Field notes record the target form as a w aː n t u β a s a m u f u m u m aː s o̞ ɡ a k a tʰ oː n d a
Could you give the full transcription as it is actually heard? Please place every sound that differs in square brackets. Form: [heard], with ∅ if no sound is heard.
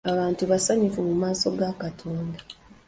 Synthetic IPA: a [β] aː n t u β a s a [ɲ] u f u m u m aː s o̞ ɡ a k a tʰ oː n d a

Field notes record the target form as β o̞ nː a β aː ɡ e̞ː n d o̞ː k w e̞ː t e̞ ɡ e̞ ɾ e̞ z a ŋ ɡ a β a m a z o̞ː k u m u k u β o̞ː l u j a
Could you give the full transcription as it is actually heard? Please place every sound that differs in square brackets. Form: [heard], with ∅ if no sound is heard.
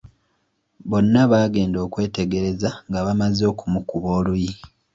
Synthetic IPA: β o̞ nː a β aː ɡ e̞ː n d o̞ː k w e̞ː t e̞ ɡ e̞ ɾ e̞ z a ŋ ɡ a β a m a z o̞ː k u m u k u β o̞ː l u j [i]

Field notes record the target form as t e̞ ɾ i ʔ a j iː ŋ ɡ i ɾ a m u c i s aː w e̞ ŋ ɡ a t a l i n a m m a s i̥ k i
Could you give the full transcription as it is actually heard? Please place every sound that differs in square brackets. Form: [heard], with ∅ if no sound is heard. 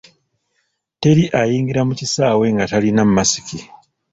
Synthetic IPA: t e̞ ɾ i ʔ a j iː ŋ ɡ i ɾ a m u c i s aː w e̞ ŋ ɡ a t a l i n a m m a s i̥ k i

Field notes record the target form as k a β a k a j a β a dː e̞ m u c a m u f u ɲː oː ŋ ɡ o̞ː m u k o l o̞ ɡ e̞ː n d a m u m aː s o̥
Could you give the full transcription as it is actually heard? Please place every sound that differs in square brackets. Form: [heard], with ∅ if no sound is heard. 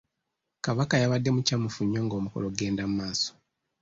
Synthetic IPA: k a β a k a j a β a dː e̞ m u c a m u f u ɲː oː ŋ ɡ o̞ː m u k o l o̞ ɡ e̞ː n d a m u m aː s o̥

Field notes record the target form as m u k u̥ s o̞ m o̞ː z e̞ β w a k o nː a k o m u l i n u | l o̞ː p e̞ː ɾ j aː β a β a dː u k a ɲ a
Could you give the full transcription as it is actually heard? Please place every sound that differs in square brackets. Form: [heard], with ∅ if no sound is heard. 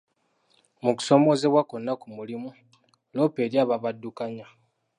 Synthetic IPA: m u k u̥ s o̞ m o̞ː z e̞ β w a k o nː a k [u] m u l i [m] u | l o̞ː p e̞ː ɾ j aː β a β a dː u k a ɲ a

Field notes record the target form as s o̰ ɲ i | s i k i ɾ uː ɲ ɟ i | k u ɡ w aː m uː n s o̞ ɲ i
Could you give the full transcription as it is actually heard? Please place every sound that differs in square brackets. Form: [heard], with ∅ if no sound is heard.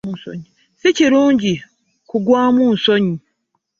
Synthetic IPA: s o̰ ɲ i | s i [c] i ɾ uː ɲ ɟ i | k u ɡ w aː m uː n s o̞ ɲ i

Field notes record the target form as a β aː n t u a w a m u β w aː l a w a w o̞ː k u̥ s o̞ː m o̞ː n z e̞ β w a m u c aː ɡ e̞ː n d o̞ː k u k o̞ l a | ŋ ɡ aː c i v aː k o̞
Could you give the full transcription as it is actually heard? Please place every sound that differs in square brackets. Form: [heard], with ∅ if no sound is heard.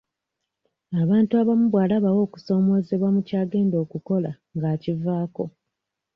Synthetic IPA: a β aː n t u a [β] a m u β w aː l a [β] a w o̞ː k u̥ s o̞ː m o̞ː [∅] z e̞ β w a m u c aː ɡ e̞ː n d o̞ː k u k o̞ l a | ŋ ɡ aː c i v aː k o̞

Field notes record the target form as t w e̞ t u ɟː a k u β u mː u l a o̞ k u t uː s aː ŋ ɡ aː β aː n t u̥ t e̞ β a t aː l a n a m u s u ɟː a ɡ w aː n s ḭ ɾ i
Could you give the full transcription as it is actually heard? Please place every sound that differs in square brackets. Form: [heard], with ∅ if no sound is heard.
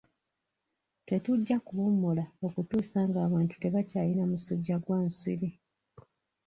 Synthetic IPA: t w e̞ t u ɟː a k u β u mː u l a o̞ k u t uː s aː ŋ ɡ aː β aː n t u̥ t e̞ β a [c] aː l [i] n a m u s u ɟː a ɡ w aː n s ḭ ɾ i

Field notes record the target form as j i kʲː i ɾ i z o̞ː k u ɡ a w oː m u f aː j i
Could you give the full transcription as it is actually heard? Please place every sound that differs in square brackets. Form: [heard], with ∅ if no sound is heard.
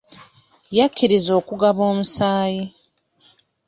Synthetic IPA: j [a] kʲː i ɾ i z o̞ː k u ɡ a [β] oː m u [s] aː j i

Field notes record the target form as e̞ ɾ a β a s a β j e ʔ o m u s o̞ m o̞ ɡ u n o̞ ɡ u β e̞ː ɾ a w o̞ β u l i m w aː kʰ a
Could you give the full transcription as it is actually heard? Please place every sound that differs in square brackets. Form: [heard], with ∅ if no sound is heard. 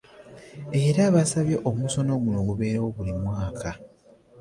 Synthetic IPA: e̞ ɾ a β a s a β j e ʔ o m u s o̞ [n] o̞ ɡ u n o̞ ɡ u β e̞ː ɾ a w o̞ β u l i m w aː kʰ a

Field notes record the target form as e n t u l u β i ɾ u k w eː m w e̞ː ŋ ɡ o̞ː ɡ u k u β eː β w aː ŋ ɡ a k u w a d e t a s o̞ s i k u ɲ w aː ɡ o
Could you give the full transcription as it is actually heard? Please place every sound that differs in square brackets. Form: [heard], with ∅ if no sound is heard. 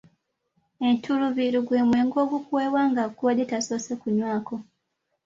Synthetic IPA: e n t u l u β i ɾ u [ɡ] w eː m w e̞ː ŋ ɡ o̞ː ɡ u k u [w] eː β w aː ŋ ɡ a k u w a d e t a s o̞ s [e] k u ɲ w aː [k] o

